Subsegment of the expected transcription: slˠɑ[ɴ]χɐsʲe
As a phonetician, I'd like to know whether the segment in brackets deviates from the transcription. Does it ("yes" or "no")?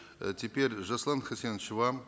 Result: yes